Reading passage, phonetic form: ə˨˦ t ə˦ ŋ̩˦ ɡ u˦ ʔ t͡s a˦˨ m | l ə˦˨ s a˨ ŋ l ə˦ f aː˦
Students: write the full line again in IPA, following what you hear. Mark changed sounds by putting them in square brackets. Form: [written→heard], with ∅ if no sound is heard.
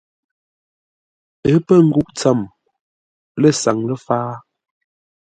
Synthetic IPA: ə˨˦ [t→p] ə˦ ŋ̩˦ ɡ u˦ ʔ t͡s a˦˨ m | l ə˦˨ s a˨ ŋ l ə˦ f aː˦